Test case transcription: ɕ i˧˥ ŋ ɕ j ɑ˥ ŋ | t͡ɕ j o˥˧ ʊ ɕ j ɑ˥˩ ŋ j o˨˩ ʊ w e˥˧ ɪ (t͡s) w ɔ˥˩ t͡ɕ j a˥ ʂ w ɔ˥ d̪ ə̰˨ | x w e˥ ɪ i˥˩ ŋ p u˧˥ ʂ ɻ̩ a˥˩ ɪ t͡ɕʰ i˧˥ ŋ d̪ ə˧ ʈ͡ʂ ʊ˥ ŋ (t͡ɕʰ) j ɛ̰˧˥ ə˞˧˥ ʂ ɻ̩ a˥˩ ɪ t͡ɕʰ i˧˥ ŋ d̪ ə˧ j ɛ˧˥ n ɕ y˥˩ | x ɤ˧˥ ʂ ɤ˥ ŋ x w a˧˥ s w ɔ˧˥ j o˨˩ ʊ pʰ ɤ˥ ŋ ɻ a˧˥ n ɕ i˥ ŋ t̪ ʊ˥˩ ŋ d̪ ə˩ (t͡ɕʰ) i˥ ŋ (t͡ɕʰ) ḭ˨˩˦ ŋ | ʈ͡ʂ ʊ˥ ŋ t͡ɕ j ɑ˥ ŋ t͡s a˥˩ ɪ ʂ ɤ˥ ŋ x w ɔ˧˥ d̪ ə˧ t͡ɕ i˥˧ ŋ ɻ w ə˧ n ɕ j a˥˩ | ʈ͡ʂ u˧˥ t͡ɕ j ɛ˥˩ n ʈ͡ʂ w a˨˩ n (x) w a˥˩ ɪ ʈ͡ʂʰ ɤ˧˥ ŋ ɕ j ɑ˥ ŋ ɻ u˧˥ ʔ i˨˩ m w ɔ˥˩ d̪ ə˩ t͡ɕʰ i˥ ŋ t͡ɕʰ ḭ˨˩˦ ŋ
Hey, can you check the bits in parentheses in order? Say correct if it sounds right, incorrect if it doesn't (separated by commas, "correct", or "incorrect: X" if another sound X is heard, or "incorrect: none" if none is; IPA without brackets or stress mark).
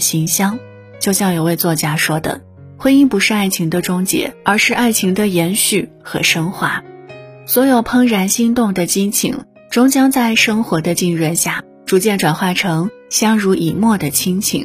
correct, incorrect: t͡ɕ, incorrect: t͡ɕ, correct, correct